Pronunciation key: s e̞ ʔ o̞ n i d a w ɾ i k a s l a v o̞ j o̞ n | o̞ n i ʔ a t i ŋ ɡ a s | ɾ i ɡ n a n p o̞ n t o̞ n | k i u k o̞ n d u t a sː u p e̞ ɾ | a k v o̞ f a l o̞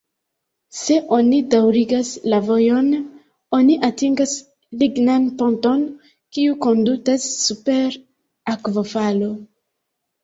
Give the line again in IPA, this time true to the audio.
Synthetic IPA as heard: s e̞ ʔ o̞ n i d a w ɾ i ɡ a s l a v o̞ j o̞ n | o̞ n i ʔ a t i ŋ ɡ a s | l i ɡ n a n p o̞ n t o̞ n | k i u k o̞ n d u t a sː u p e̞ ɾ | a k v o̞ f a l o̞